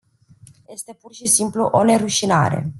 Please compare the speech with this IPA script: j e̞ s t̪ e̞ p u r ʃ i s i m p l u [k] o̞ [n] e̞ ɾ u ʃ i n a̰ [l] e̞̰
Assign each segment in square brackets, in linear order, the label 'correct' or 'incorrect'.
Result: incorrect: ʔ, correct, incorrect: ɾ

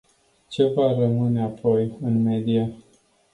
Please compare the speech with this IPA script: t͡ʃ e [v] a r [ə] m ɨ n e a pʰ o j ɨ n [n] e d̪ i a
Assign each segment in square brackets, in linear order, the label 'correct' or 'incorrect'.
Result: correct, correct, incorrect: m

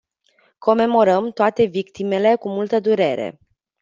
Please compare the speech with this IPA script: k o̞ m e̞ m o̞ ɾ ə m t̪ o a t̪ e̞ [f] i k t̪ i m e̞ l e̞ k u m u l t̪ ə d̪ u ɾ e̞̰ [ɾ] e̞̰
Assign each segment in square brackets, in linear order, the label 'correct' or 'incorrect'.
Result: incorrect: v, correct

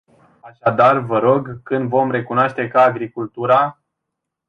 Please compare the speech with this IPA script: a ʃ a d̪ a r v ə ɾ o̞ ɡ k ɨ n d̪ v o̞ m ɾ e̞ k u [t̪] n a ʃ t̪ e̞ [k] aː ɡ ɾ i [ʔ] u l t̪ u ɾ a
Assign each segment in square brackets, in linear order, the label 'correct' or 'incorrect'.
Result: incorrect: none, correct, incorrect: k

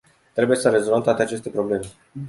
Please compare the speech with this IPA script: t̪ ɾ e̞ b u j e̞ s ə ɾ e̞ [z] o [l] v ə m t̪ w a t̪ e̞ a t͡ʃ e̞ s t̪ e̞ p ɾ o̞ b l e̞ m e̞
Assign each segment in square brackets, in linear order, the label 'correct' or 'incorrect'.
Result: correct, correct

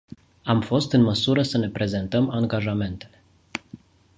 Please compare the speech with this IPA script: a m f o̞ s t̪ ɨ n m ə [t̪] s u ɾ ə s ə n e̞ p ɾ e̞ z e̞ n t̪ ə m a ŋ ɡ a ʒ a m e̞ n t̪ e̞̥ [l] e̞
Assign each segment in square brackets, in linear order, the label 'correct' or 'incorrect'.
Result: incorrect: none, correct

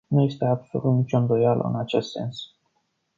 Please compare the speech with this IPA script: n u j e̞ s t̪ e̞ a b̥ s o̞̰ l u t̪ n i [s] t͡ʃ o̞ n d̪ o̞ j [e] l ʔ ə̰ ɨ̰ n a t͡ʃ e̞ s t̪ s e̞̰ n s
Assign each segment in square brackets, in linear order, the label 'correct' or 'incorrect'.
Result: incorrect: none, incorrect: a

